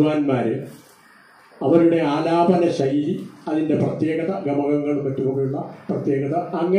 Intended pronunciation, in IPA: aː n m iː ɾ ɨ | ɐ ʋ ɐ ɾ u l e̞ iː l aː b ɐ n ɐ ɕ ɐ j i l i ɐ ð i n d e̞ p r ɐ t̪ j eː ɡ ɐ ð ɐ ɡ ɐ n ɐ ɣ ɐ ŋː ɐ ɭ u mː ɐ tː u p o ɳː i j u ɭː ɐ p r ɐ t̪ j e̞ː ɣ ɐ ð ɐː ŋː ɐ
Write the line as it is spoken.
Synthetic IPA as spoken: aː n m aː ɾ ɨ | ɐ ʋ ɐ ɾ u ɽ e̞ aː l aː b ɐ n ɐ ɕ ɐ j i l i ɐ ð i n d e̞ p r ɐ t̪ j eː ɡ ɐ ð ɐ ɡ ɐ m ɐ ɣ ɐ ŋː ɐ ɭ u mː ɐ tː u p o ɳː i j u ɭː ɐ p r ɐ t̪ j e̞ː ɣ ɐ ð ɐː ŋː ɐ